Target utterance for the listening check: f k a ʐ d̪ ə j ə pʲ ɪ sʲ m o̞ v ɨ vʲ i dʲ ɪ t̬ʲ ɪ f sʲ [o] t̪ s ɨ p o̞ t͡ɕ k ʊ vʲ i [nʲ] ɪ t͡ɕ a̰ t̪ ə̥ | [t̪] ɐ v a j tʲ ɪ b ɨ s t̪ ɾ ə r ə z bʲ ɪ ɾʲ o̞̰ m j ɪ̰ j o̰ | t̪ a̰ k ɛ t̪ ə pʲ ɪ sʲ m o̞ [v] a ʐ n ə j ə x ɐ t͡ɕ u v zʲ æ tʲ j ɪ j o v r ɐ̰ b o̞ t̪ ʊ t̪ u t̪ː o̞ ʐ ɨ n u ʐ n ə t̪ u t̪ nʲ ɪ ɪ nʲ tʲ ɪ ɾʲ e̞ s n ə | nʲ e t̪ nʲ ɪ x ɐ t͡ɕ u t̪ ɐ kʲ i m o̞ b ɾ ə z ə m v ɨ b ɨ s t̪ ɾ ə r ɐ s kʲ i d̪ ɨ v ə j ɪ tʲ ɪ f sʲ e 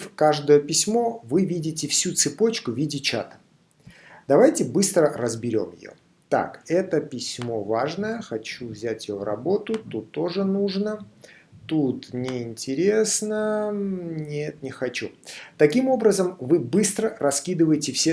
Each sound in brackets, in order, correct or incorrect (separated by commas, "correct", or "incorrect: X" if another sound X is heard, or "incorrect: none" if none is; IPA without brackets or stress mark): incorrect: u, incorrect: dʲ, incorrect: d̪, correct